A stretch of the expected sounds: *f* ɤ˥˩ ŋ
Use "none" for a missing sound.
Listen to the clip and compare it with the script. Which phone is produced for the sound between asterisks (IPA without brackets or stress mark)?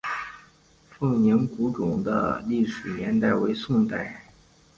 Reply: f